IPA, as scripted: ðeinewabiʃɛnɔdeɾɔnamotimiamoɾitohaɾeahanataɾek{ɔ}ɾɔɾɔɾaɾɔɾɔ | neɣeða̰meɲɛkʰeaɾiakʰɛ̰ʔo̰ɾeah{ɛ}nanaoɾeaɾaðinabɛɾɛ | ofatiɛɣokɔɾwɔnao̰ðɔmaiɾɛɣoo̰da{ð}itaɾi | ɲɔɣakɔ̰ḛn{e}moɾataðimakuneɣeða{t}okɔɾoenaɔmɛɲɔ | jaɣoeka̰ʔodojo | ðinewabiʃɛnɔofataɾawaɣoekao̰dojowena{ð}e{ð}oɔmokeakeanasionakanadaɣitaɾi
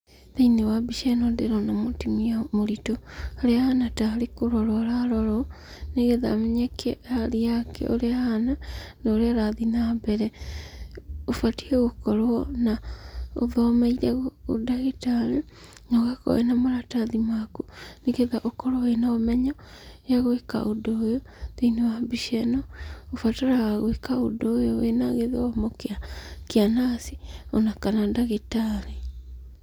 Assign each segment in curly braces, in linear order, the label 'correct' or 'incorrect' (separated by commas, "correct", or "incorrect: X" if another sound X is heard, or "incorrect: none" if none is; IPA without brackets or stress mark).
incorrect: o, incorrect: a, incorrect: ɣ, incorrect: a, incorrect: ʔ, incorrect: ɣ, correct